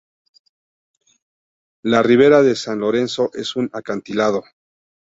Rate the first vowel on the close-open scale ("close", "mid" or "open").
open